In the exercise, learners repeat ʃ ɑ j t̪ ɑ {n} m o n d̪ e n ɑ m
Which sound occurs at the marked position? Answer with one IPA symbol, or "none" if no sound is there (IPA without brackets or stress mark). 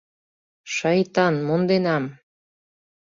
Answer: n